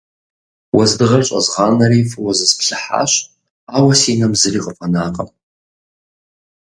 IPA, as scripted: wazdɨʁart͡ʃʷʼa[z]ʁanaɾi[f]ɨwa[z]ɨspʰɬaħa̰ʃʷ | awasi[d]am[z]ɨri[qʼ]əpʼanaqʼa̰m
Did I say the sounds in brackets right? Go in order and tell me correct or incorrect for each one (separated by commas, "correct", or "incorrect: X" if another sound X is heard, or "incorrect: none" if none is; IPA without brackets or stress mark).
correct, correct, correct, incorrect: n, correct, correct